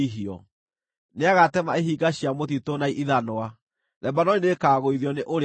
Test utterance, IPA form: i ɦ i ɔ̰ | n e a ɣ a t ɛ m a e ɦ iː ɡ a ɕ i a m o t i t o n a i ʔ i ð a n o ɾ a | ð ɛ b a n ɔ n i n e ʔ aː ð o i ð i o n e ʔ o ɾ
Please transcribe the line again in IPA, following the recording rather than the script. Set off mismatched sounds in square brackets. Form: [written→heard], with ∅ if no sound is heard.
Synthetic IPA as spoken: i ɦ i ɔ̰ | n e a ɣ a t ɛ m a e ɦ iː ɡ a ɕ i a m o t i t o n a i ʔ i ð a n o [ɾ→∅] a | ð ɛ b a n ɔ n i n e [ʔ→k] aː [ð→ɣ] o i ð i [o→ɔ] n e ʔ o ɾ